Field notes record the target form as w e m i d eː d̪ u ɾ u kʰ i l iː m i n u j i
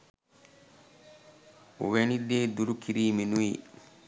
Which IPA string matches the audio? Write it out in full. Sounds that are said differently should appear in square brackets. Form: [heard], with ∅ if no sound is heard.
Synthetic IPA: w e [n] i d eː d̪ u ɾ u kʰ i [ɾ] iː m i n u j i